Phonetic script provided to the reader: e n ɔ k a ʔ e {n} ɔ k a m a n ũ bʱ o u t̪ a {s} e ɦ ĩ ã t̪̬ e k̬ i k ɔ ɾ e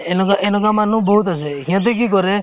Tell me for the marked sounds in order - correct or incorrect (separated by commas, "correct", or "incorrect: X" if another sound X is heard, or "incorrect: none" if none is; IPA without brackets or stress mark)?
correct, correct